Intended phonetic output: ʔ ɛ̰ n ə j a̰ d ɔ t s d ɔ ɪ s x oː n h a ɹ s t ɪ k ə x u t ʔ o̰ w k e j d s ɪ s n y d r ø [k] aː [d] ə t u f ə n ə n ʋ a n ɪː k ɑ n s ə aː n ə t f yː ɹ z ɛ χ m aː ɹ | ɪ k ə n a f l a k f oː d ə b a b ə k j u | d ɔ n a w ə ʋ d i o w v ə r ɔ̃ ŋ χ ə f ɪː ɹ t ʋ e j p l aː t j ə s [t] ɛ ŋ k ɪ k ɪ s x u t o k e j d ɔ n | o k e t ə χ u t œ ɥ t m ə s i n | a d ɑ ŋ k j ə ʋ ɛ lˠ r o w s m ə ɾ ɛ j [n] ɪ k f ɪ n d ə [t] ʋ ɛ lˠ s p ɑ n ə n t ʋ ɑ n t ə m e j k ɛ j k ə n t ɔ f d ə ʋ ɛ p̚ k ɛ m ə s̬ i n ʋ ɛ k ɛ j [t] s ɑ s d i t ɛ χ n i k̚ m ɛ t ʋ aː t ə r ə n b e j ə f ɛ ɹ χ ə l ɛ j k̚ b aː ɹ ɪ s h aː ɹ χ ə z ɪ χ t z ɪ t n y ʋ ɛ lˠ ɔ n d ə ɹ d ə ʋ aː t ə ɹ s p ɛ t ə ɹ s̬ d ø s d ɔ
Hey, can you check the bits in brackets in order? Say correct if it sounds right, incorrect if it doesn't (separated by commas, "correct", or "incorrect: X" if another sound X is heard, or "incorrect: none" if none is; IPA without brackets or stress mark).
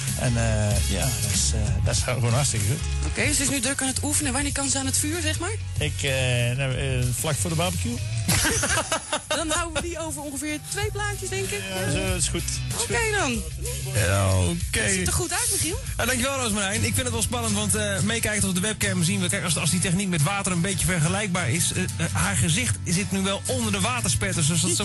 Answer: correct, incorrect: n, incorrect: d, correct, correct, incorrect: k